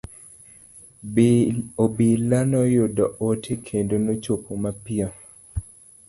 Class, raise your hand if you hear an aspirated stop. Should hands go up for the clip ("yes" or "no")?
yes